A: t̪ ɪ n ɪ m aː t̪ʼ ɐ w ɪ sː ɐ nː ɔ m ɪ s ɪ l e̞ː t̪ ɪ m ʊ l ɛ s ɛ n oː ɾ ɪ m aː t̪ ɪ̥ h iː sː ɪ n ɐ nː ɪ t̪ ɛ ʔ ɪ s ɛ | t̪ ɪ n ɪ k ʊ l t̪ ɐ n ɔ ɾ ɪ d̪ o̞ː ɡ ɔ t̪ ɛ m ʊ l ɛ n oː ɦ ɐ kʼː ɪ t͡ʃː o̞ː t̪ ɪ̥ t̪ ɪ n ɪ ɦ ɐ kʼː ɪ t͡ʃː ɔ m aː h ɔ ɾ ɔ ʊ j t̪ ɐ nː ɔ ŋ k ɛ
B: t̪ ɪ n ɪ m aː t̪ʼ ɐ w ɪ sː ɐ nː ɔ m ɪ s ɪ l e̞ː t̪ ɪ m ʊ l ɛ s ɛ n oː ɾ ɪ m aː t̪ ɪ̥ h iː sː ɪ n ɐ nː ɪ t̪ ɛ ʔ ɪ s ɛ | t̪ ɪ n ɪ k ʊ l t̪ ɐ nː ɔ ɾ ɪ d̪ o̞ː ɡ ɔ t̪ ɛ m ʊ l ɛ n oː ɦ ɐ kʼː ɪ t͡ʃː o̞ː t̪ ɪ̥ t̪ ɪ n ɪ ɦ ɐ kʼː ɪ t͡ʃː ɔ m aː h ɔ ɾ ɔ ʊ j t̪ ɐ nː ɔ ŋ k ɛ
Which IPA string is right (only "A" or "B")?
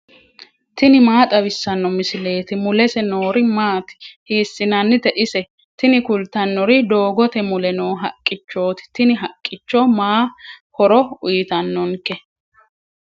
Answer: B